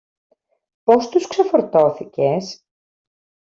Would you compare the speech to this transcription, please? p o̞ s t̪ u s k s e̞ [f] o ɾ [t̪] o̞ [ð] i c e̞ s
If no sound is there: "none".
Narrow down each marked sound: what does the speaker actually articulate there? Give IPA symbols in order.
f, t̪, θ

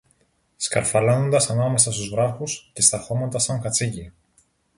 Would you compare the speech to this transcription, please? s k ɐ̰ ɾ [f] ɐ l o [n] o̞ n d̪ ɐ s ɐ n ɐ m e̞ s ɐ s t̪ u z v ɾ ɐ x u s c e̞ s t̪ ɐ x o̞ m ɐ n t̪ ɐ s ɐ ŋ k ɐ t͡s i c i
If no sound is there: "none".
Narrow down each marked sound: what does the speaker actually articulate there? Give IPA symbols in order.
f, n

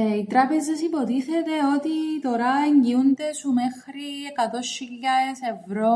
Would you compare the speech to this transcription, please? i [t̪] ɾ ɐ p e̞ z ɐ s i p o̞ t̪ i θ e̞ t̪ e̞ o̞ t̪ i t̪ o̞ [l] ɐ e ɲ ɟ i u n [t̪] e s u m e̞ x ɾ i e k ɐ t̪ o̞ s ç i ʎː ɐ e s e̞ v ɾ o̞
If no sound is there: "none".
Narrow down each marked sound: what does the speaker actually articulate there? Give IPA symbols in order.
t̪, ɾ, d̪

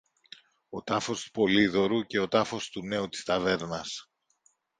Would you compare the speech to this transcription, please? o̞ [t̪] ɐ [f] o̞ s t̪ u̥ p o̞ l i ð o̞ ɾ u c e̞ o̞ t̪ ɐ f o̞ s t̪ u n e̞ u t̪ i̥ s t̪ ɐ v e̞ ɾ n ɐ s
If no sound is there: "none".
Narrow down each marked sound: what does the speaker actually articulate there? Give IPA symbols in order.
t̪, f

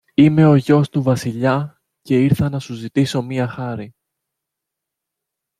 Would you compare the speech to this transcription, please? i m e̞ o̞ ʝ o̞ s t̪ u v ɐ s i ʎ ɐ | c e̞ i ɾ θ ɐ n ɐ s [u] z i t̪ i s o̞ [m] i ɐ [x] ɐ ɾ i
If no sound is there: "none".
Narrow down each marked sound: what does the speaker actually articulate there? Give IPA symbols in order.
u, m, x

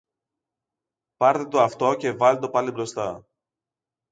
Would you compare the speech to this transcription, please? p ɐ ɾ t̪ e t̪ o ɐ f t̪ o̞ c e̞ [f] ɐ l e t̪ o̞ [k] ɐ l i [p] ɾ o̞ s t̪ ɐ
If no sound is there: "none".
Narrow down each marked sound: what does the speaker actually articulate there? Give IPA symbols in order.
v, p, b

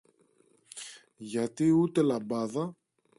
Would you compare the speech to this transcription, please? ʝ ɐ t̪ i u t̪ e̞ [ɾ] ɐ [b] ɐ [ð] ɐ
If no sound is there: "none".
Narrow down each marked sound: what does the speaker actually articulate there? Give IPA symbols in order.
l, b, ð

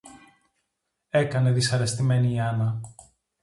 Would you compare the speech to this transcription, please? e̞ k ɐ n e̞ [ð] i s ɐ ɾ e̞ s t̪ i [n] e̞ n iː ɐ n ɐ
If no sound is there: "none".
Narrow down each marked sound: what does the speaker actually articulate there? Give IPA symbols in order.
ð, m

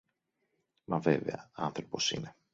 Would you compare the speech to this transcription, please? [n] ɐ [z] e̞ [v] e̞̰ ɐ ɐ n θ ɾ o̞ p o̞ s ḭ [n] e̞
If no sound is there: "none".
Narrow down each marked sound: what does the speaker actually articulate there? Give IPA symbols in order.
m, v, v, n

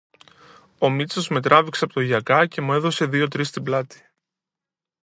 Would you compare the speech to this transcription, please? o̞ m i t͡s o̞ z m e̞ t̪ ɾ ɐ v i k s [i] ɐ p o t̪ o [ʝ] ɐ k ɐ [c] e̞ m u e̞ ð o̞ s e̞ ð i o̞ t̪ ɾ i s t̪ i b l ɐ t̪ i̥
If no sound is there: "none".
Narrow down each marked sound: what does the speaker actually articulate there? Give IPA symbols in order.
e, ʝ, c

